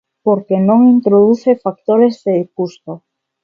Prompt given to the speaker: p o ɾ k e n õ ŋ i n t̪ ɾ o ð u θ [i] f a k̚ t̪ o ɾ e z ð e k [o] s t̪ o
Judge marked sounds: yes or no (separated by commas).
no, no